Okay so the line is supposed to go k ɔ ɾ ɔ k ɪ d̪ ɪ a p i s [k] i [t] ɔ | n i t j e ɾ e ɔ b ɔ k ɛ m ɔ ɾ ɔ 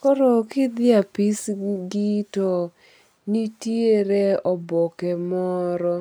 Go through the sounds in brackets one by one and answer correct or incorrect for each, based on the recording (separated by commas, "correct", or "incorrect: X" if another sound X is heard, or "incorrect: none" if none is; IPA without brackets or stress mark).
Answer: incorrect: ɡ, correct